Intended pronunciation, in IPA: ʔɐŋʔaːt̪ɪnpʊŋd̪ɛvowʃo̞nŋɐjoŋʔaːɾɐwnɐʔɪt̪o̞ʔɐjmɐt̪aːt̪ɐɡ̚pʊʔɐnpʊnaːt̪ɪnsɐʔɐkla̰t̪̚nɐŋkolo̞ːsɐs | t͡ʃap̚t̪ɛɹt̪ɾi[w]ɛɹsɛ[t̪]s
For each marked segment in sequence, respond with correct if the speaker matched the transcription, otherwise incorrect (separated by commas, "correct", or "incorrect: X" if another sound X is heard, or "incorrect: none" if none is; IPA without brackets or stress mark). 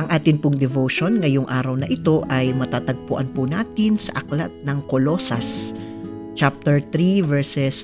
incorrect: v, incorrect: none